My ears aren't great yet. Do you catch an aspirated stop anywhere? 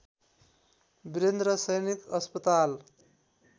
no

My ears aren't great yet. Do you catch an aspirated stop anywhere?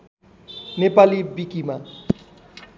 no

